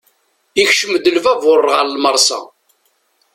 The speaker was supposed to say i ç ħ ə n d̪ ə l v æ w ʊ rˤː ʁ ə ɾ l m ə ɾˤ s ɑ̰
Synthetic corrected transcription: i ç ʃ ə m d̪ ə l v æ v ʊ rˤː ʁ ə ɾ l m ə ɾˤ s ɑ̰

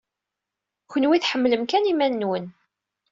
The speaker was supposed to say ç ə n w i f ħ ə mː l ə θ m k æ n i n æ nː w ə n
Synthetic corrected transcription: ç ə n w i θ ħ ə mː l ə m k æ n i m æ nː w ə n

